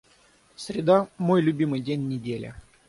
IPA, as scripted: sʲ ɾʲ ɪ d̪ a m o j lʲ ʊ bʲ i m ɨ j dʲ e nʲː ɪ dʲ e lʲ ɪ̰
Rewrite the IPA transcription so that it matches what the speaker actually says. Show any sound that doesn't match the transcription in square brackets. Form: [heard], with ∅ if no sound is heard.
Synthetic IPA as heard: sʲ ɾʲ ɪ d̪ a m o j lʲ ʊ bʲ i m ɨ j dʲ e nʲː ɪ dʲ e lʲ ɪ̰